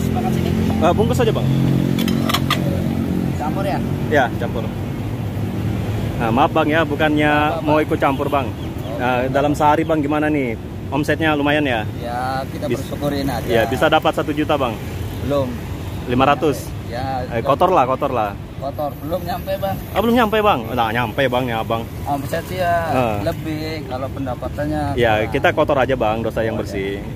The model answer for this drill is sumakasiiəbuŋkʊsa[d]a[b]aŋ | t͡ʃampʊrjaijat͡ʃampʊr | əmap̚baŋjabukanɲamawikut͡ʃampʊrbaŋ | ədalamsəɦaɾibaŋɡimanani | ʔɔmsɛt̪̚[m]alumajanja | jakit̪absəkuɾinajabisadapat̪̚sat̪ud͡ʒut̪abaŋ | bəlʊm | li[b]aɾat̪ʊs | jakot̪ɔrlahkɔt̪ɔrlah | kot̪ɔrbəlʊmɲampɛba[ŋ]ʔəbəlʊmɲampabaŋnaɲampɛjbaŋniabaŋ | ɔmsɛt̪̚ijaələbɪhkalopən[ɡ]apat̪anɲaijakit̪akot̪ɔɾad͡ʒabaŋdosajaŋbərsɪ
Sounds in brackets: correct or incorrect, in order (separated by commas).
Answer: incorrect, correct, incorrect, incorrect, correct, incorrect